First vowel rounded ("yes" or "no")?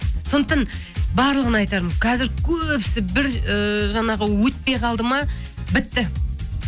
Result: yes